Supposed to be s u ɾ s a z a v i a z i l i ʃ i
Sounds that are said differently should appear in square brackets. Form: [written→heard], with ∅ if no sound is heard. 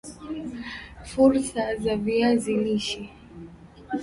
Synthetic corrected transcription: [s→f] u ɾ s a z a v i a z i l i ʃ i